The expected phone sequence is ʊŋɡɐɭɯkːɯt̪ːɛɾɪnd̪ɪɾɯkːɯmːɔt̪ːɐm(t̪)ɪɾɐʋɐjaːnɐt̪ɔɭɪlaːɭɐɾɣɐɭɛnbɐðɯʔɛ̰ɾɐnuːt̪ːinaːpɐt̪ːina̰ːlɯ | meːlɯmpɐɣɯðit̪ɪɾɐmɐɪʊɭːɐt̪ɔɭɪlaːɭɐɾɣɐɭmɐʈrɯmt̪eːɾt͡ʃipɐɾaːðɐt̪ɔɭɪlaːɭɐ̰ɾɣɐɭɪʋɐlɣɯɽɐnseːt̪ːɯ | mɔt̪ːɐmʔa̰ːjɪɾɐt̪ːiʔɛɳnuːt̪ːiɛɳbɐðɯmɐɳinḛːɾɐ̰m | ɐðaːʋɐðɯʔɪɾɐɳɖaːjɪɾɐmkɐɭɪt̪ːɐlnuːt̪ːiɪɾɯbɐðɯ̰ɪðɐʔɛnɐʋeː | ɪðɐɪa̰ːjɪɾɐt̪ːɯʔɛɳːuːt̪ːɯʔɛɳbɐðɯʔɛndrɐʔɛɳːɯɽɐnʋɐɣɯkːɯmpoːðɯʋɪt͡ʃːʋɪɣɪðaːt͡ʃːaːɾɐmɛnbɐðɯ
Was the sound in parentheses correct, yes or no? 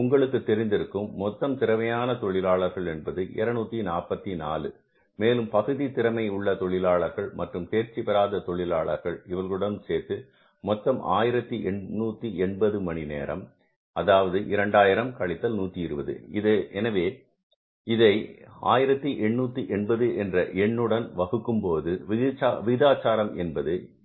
yes